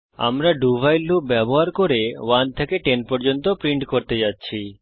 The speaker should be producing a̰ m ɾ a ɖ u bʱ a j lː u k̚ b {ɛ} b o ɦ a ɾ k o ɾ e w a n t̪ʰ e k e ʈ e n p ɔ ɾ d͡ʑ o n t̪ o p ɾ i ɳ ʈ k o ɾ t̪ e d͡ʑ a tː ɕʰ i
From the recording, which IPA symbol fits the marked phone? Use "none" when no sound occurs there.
ɛ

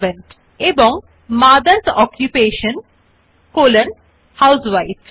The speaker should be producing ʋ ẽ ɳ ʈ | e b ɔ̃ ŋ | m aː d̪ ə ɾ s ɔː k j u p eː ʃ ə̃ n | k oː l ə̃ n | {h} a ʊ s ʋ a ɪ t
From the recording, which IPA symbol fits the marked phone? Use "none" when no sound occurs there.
h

